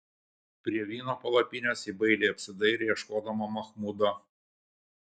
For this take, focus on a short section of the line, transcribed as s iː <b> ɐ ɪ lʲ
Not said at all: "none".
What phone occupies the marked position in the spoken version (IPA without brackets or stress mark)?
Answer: b